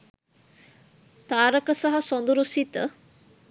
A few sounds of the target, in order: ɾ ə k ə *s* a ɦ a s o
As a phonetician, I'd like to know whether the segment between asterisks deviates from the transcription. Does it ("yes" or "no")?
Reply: no